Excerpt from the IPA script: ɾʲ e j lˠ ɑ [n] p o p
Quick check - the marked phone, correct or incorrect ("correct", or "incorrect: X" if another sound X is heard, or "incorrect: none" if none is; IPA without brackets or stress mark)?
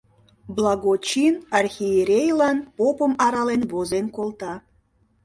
correct